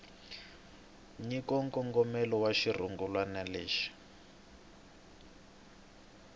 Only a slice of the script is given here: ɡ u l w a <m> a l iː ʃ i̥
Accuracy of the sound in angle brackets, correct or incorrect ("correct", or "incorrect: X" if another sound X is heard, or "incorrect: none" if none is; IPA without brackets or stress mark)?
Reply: incorrect: n